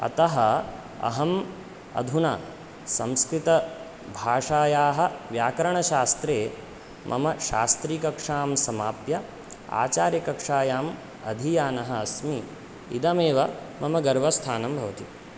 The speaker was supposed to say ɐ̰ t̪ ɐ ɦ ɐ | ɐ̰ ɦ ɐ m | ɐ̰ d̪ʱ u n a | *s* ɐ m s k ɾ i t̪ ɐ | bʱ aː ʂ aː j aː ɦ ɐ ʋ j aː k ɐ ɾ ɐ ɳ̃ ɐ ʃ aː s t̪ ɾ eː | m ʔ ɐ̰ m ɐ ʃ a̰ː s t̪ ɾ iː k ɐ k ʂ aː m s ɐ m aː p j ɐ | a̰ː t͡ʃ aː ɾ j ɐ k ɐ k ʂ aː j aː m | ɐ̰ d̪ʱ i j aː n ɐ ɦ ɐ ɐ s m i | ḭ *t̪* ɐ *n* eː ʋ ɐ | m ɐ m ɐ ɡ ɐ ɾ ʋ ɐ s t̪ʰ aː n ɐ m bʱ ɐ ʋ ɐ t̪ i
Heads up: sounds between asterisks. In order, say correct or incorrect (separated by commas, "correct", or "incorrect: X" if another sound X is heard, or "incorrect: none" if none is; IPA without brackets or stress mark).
correct, incorrect: d̪, incorrect: m